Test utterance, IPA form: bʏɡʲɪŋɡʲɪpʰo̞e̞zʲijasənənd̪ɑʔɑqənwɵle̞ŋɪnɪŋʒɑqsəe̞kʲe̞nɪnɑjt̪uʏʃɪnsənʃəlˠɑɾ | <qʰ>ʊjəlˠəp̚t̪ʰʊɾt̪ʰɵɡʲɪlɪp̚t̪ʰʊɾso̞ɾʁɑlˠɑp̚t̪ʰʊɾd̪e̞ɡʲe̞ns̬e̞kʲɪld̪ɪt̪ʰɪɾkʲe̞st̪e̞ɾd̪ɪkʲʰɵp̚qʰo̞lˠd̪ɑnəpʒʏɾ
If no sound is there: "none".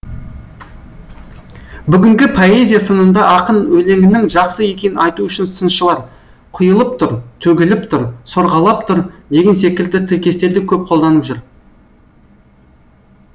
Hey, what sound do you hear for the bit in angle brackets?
qʰ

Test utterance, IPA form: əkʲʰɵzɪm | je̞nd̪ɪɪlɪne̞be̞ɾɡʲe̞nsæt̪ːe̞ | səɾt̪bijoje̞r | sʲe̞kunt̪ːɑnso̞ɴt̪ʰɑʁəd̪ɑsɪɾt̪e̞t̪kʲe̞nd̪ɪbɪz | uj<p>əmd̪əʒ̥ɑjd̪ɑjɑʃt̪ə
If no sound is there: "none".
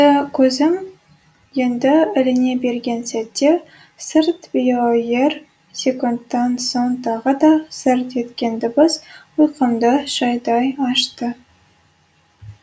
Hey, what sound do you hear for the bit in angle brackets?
q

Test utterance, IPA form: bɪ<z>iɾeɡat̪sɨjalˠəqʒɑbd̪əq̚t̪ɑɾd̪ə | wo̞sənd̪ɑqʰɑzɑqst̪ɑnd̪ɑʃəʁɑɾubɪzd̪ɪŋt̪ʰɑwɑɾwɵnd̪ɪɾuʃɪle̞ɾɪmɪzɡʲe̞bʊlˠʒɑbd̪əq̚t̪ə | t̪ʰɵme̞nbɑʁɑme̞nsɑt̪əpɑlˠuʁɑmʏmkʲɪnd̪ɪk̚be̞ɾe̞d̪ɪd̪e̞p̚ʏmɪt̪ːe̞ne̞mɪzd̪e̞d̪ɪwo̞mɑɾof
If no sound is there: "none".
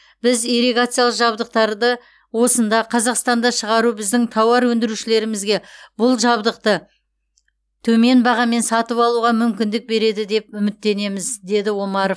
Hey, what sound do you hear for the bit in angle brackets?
z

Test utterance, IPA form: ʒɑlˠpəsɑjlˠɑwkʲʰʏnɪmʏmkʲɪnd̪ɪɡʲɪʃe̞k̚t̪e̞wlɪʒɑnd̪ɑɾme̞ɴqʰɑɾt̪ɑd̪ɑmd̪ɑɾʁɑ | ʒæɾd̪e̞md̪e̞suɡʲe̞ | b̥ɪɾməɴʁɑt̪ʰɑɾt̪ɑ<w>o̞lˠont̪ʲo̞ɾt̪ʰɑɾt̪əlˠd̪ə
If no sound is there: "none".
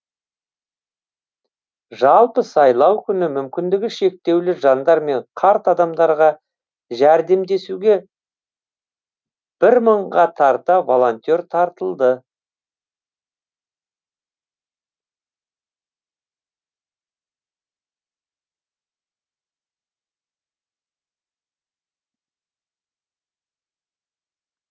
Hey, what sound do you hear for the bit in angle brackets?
v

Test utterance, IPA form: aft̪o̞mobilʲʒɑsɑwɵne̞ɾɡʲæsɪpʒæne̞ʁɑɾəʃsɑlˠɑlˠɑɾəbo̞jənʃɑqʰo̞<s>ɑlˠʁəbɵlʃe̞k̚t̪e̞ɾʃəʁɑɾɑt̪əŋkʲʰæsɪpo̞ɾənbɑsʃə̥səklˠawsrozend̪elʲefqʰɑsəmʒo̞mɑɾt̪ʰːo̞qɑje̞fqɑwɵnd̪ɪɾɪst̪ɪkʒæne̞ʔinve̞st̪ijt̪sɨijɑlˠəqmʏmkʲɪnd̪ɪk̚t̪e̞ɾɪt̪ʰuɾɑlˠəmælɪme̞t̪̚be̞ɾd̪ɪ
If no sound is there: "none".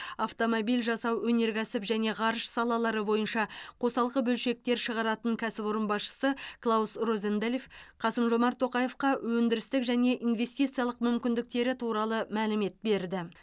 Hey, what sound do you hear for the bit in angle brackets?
s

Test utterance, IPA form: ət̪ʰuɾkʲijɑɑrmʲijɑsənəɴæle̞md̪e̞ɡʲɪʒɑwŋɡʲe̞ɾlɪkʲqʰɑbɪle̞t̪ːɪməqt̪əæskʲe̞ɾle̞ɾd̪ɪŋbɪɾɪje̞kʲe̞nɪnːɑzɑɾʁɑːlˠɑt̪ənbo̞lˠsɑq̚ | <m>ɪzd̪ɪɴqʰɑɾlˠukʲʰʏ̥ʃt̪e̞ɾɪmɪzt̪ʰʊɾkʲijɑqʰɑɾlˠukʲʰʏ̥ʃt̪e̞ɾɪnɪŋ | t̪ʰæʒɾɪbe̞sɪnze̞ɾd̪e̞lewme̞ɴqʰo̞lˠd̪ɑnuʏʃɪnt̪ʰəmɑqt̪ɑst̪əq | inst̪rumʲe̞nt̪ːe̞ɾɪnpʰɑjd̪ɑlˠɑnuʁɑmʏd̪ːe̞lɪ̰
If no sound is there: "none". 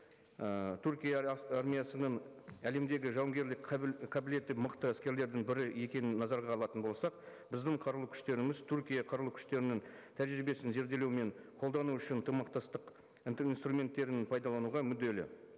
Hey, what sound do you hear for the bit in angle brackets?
b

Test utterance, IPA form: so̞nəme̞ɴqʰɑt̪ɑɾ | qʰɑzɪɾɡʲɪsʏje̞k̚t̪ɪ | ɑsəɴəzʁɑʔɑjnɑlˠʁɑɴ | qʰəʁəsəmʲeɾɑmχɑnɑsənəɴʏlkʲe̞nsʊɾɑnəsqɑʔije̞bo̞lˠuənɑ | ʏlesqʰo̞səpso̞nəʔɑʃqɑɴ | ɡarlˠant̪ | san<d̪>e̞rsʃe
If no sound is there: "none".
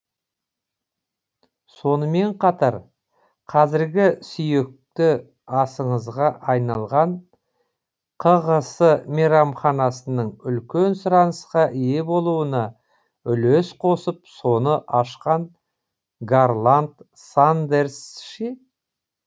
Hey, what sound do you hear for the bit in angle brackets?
d̪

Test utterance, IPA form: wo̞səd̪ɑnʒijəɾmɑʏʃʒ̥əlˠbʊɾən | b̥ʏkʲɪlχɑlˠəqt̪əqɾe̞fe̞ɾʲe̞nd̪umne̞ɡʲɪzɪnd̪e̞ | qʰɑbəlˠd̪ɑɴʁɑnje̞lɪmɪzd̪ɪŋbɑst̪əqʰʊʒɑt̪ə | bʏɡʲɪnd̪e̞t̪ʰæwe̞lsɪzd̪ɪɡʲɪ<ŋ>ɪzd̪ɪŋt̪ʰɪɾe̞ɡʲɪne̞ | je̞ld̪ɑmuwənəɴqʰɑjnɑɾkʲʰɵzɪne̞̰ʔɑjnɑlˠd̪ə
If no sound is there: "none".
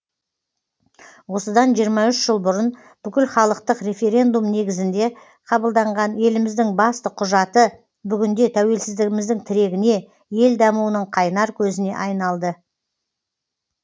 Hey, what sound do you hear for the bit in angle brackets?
m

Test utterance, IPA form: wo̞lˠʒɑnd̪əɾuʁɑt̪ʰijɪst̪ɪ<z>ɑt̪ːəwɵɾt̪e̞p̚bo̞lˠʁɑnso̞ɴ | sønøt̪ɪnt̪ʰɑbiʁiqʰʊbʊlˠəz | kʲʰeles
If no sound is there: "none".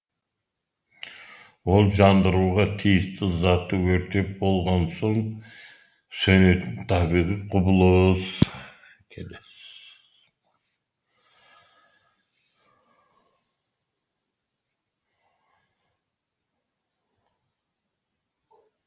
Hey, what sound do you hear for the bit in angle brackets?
z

